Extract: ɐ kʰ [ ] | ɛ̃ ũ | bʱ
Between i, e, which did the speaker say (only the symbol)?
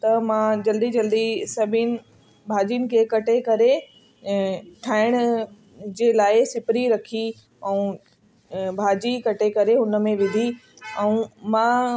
i